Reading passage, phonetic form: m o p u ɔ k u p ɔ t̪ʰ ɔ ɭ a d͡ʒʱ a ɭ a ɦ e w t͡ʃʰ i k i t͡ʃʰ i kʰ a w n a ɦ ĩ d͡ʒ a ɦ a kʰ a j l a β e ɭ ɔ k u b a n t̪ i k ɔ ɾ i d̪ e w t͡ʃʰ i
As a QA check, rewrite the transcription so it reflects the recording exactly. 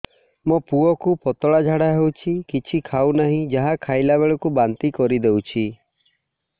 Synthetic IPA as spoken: m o p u ɔ k u p ɔ t̪ ɔ ɭ a d͡ʒʱ a ɽ a ɦ e w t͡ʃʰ i k i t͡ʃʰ i kʰ a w n a ɦ ĩ d͡ʒ a ɦ a kʰ a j l a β e ɭ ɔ k u b a n t̪ i k ɔ ɾ i d̪ e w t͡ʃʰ i